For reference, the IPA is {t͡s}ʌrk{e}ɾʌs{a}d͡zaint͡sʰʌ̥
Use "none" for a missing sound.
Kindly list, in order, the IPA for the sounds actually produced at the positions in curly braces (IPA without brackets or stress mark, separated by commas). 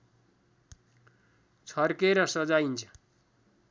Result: t͡sʰ, e, ʌ